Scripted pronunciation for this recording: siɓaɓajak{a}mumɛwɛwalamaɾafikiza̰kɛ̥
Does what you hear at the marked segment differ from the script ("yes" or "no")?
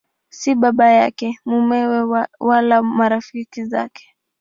yes